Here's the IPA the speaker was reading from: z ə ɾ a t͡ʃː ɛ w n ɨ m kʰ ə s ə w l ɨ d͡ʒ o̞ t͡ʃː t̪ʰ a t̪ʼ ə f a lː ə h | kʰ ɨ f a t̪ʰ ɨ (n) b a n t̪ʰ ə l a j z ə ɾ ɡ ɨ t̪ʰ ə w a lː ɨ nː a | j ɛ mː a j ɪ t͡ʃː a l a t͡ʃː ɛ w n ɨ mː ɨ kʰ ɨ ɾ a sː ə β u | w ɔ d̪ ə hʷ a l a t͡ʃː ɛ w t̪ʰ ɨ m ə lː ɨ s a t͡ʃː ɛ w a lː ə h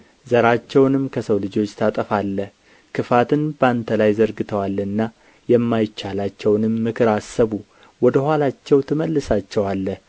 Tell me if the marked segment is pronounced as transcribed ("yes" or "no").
yes